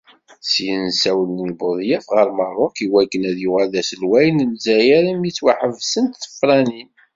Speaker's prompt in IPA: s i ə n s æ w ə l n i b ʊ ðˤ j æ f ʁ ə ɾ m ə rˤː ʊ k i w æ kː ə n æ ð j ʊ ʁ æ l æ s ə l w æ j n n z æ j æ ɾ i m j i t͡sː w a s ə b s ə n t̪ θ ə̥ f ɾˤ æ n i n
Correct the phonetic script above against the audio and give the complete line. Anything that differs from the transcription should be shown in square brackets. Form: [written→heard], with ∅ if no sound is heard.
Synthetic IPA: s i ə n s æ w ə l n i b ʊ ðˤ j æ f ʁ ə ɾ m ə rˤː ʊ k i w æ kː ə n æ ð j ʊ ʁ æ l æ s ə l w æ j n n z æ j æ ɾ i m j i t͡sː w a [s→ħ] ə [b→v] s ə n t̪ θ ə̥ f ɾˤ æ n i n